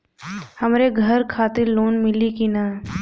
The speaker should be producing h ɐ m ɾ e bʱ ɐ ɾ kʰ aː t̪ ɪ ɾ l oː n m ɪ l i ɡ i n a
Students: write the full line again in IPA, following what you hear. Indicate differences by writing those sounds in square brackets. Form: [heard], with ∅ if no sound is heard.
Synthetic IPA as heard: h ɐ m ɾ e [ɡʱ] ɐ ɾ kʰ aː t̪ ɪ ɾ l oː n m ɪ l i [k] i n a